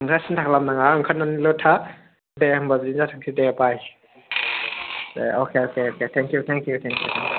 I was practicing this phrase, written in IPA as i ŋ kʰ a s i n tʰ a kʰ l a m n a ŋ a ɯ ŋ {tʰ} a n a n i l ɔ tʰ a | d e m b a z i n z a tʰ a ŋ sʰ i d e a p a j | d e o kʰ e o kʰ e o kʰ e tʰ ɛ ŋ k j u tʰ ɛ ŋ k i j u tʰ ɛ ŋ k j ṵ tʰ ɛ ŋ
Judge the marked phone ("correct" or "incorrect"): incorrect